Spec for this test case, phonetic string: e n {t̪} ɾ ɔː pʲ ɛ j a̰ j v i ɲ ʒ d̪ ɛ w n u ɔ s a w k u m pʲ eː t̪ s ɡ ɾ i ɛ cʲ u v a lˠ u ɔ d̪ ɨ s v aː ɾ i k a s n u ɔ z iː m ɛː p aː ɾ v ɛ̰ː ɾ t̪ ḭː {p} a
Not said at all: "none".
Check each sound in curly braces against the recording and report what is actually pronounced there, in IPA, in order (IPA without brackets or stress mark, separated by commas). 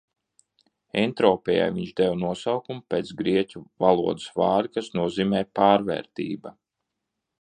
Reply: t̪, b